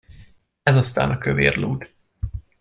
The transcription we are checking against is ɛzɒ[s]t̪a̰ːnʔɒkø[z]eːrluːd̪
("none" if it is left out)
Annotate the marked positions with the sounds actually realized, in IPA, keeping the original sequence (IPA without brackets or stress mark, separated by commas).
s, v